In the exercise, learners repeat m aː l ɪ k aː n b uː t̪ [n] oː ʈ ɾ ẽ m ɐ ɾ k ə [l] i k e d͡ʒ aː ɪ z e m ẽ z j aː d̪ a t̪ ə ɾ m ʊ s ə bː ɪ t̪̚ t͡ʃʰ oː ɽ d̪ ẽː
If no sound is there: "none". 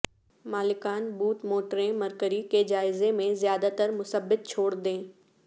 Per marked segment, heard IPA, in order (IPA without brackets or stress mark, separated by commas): m, ɾ